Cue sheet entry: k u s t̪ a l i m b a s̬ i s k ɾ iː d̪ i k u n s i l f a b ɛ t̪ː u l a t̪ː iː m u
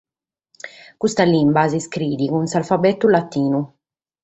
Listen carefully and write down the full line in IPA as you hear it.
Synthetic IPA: k u s t̪ a l i m b a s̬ i s k ɾ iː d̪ i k u n s a l f a b ɛ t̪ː u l a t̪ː iː n u